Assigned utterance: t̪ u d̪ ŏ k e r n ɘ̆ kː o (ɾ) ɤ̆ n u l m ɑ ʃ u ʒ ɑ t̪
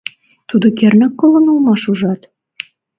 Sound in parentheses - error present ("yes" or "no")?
yes